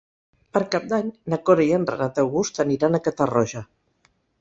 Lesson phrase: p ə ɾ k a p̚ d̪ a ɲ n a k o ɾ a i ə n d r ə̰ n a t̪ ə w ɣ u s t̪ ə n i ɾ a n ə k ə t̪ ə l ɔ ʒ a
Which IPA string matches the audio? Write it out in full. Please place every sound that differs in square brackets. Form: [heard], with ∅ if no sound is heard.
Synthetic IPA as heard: p ə ɾ k a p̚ d̪ a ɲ n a k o ɾ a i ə n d r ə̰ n a t̪ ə w ɣ u s t̪ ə n i ɾ a n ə k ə t̪ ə [r] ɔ ʒ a